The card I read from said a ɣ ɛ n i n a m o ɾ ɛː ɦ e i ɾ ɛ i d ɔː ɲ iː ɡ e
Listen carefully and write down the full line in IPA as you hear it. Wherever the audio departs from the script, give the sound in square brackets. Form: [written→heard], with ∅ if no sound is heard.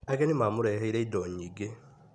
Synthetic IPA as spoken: a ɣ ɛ n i [n→m] a m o ɾ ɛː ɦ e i ɾ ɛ i d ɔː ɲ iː ɡ e